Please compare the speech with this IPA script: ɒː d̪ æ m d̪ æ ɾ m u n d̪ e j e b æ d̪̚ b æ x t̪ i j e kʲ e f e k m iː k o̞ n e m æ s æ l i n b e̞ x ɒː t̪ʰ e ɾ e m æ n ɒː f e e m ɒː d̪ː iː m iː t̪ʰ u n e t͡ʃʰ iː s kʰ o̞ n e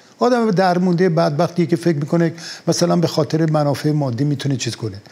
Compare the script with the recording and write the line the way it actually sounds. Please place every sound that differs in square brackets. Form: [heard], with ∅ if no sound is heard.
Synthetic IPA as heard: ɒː d̪ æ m d̪ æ ɾ m u n d̪ e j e b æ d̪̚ b æ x t̪ i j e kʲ e f e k m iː k o̞ n e m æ s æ l [æ] n b e̞ x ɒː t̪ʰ e ɾ e m æ n ɒː f e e m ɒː d̪ː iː m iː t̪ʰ u n e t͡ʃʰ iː [z] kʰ o̞ n e